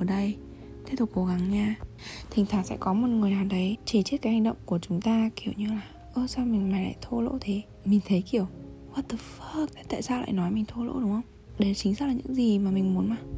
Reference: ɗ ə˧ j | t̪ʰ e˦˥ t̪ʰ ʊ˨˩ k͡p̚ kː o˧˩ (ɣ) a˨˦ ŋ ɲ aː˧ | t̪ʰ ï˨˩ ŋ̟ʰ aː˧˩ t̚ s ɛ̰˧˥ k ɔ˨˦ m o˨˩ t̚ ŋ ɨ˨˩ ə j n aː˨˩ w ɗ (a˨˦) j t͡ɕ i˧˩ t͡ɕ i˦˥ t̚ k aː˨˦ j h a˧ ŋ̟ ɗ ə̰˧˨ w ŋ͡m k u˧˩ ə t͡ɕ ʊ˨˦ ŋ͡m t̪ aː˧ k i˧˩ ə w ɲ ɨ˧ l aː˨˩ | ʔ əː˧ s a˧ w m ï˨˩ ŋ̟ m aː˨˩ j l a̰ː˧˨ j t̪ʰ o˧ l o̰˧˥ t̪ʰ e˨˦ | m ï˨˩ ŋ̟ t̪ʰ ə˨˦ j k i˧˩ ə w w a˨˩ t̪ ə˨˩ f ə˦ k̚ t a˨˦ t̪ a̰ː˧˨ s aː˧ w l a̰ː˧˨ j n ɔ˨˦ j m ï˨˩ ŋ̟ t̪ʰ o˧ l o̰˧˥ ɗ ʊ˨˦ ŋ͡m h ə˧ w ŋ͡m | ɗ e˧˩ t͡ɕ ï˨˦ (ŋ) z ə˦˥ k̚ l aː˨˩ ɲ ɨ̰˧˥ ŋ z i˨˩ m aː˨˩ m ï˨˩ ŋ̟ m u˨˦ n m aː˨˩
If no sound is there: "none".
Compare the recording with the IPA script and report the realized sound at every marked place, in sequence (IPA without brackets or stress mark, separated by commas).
ɣ, ə˨˦, ŋ